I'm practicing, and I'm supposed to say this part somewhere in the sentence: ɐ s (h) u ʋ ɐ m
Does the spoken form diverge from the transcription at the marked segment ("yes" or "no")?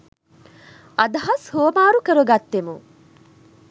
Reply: no